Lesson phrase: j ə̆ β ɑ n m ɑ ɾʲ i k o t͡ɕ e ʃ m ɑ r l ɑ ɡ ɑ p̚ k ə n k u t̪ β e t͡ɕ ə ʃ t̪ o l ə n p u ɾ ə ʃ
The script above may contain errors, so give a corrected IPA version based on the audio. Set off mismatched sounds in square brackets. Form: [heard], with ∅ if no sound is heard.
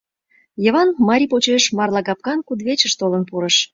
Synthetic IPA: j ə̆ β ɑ n m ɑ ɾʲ i [p] o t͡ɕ e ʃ m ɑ r l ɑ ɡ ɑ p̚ k [ɑ] n k u [d̪] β e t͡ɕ ə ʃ t̪ o l ə n p u ɾ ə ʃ